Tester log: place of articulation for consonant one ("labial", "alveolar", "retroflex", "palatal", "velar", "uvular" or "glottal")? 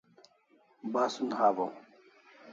labial